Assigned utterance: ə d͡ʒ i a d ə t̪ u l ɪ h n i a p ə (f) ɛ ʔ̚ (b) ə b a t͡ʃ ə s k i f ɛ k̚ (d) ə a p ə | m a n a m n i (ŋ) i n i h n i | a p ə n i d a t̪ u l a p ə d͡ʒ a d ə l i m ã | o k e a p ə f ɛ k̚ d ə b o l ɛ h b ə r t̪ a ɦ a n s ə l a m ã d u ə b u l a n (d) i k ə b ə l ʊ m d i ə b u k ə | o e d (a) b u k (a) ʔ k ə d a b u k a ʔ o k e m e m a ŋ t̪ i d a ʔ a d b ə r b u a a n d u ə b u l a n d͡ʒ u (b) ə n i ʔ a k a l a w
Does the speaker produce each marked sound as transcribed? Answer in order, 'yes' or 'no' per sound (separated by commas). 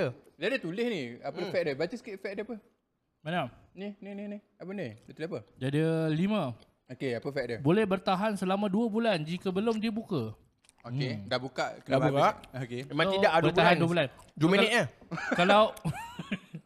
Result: yes, no, yes, no, no, yes, yes, no